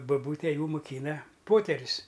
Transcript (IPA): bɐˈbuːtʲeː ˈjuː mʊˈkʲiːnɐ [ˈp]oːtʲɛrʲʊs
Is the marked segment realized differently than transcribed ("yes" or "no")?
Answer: no